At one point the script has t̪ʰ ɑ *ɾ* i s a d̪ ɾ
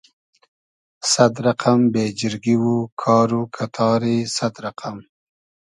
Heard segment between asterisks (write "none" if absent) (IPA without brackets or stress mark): ɾ